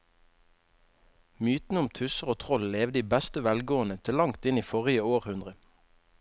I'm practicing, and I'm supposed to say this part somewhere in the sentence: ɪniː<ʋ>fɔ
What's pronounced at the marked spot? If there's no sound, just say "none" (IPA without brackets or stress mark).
none